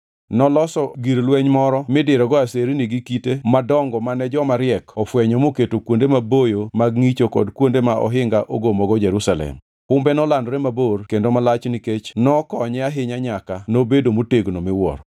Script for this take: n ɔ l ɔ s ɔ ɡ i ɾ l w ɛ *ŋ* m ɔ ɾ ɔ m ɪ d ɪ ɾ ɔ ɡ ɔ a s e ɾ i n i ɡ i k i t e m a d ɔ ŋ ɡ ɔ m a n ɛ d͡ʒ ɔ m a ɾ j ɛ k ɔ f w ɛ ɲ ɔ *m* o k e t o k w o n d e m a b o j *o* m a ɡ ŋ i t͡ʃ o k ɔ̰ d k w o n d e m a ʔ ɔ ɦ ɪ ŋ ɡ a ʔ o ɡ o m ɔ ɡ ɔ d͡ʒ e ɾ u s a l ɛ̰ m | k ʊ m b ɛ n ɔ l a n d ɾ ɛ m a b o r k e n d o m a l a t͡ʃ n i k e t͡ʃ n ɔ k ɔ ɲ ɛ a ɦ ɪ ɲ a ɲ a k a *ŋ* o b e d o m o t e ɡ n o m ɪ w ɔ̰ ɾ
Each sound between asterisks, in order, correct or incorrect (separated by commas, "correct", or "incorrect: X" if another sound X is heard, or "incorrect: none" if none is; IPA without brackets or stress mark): incorrect: ɲ, correct, correct, incorrect: n